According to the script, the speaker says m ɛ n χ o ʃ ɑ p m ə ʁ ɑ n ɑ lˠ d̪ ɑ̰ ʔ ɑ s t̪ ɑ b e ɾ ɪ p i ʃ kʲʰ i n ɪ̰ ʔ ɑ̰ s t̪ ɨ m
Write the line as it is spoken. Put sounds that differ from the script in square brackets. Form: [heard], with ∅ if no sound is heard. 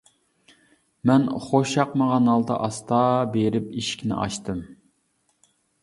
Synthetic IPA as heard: m ɛ n χ o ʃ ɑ [q] m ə ʁ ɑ n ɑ lˠ d̪ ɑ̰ ʔ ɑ s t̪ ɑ b e ɾ ɪ p i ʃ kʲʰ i n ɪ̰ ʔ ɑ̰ [ʃ] t̪ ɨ m

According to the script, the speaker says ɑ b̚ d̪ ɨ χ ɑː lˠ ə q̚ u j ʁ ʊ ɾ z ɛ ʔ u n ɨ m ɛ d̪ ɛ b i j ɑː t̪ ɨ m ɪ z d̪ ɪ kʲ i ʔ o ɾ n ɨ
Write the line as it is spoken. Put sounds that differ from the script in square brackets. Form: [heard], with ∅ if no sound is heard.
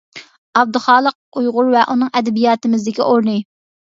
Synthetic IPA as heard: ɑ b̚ d̪ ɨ χ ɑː lˠ ə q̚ u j ʁ ʊ ɾ [v] ɛ ʔ u n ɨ [ŋ] ɛ d̪ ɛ b i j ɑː t̪ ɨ m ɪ z d̪ ɪ kʲ i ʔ o ɾ n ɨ

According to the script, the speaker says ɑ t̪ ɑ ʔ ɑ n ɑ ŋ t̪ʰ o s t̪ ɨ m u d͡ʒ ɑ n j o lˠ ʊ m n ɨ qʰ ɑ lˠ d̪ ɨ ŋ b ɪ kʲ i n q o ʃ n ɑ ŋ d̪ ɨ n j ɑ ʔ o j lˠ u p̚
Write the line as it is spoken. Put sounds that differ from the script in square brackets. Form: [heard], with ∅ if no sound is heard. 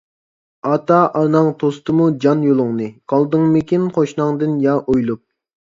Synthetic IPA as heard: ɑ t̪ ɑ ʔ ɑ n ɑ ŋ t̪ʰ o s t̪ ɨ m u d͡ʒ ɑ n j o lˠ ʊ [ŋ] n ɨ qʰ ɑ lˠ d̪ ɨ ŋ [m] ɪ kʲ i n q o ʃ n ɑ ŋ d̪ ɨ n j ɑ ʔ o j lˠ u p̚

